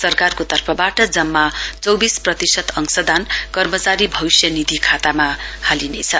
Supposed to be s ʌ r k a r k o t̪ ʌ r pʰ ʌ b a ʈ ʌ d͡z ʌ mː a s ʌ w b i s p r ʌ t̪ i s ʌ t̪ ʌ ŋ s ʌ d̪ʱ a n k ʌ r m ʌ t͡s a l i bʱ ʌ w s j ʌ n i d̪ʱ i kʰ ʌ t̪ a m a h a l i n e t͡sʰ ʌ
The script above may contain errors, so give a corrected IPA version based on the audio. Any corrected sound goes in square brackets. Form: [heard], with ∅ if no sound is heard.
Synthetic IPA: s ʌ r k a r k o t̪ ʌ r pʰ ʌ b a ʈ ʌ d͡z ʌ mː a [t͡s] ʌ w b i s p r ʌ t̪ i s ʌ t̪ ʌ ŋ s ʌ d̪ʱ a n k ʌ r m ʌ t͡s a [ɾ] i bʱ ʌ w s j ʌ n i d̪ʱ i kʰ [a] t̪ a m a h a l i n e t͡sʰ ʌ